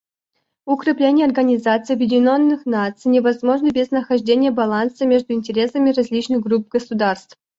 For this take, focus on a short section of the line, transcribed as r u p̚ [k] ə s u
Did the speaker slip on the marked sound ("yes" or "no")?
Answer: yes